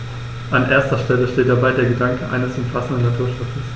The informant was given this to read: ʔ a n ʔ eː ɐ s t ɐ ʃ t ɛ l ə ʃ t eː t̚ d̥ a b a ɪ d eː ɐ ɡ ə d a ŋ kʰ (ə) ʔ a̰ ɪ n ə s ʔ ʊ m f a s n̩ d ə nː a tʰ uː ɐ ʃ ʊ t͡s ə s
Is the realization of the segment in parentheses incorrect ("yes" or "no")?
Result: no